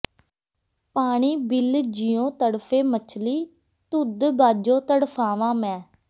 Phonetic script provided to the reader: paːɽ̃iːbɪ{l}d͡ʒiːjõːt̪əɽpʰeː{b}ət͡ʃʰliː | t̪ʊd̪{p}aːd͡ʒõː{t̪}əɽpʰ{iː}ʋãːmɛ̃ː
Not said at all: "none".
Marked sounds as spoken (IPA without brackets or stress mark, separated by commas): l, m, b, t̪, aː